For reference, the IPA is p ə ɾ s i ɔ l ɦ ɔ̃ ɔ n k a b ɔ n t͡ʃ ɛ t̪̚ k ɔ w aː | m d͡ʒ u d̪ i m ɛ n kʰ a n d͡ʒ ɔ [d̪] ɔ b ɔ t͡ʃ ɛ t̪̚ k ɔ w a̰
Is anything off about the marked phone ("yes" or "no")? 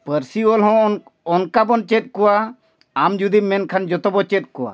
yes